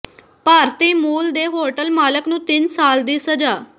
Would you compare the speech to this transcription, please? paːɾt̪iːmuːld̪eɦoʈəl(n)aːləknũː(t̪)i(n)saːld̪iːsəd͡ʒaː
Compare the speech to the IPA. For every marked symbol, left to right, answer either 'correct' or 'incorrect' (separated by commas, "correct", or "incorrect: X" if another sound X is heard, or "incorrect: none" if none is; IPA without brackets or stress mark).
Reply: incorrect: m, correct, correct